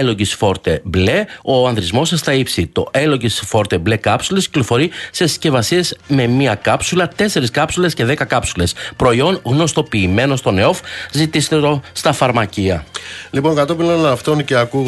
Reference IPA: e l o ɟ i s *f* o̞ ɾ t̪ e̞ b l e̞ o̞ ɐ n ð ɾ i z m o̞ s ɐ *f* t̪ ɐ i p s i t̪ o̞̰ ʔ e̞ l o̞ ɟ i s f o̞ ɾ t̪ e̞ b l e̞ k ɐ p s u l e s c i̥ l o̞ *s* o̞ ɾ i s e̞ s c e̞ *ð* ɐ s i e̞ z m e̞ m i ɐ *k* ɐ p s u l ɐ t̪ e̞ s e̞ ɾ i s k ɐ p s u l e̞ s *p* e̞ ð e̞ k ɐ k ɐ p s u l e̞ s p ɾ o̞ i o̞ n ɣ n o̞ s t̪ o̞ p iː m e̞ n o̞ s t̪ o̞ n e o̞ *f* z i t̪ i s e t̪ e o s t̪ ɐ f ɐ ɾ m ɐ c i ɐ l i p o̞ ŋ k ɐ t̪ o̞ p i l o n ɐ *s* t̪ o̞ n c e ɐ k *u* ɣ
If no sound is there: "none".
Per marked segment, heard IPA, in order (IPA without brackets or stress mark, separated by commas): f, s, f, v, k, c, f, f, u